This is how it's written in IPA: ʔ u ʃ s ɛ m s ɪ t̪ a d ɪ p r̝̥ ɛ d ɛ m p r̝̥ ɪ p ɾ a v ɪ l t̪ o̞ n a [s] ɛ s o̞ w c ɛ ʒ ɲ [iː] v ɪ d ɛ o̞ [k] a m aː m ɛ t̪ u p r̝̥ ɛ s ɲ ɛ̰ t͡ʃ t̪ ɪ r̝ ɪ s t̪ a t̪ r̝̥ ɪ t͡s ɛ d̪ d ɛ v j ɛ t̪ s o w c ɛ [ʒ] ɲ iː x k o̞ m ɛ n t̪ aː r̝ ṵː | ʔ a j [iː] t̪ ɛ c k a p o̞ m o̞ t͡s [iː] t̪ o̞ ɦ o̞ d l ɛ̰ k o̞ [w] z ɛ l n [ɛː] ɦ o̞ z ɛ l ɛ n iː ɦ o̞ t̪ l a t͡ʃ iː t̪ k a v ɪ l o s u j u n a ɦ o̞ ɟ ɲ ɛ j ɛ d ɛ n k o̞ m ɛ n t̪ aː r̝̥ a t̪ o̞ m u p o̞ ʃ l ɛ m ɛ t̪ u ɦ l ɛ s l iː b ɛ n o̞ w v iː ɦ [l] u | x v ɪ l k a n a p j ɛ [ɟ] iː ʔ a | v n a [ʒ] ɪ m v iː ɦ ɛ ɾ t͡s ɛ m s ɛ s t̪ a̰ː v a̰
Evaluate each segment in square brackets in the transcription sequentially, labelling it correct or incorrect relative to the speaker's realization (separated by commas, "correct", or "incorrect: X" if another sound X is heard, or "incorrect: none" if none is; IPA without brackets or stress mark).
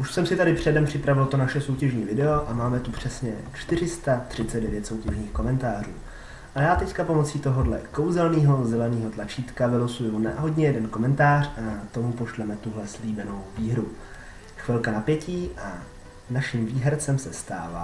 incorrect: ʃ, correct, incorrect: ʔ, correct, incorrect: aː, correct, correct, incorrect: iː, incorrect: ɾ, incorrect: c, incorrect: ʃ